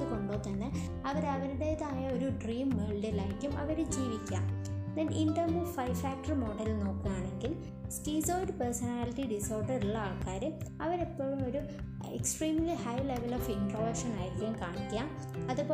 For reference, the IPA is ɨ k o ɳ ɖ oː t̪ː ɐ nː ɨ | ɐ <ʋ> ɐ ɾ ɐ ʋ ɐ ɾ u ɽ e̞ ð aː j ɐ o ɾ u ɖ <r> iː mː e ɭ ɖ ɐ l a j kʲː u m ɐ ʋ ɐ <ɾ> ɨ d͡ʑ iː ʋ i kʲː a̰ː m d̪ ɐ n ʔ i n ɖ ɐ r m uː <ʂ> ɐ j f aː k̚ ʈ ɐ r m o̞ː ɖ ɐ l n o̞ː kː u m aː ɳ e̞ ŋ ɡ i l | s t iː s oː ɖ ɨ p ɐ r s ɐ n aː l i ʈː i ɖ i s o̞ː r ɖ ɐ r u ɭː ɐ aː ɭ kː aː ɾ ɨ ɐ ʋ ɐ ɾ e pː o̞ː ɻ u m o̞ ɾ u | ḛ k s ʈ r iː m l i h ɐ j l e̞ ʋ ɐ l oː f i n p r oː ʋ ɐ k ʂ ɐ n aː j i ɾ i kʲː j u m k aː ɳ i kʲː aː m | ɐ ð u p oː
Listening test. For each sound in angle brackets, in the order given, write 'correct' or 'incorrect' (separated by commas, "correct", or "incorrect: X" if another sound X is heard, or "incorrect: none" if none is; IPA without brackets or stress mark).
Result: correct, correct, correct, incorrect: f